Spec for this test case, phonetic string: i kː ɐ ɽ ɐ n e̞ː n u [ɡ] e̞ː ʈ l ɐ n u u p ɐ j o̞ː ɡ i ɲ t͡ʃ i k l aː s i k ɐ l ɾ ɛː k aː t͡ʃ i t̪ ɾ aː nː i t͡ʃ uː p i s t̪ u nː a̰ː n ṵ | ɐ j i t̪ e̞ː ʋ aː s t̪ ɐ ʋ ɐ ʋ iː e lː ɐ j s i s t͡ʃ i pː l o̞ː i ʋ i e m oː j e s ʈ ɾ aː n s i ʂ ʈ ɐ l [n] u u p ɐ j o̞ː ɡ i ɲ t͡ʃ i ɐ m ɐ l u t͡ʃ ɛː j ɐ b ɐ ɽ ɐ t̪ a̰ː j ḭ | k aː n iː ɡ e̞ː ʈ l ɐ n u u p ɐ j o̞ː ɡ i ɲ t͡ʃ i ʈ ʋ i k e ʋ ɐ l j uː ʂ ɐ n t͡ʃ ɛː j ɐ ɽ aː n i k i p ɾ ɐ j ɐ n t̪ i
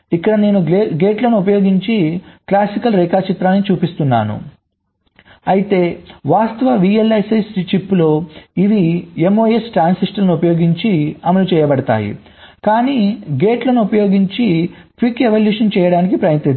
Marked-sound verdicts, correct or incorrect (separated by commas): correct, correct